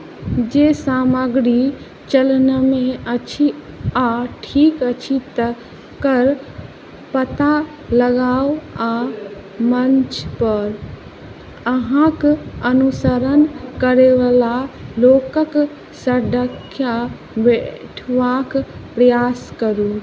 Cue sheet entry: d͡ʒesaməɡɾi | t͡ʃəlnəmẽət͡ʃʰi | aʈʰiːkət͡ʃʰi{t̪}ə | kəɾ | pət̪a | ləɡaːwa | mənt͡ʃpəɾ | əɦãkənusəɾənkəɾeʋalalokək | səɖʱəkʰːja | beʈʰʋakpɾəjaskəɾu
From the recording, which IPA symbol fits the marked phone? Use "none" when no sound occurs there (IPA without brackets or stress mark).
t̪